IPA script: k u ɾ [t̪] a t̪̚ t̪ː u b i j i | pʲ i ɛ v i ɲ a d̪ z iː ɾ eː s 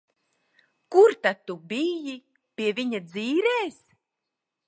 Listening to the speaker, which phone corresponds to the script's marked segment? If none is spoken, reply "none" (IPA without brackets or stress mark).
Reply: t̪